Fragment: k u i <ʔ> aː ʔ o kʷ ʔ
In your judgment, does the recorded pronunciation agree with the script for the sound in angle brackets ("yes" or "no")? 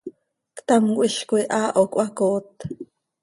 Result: yes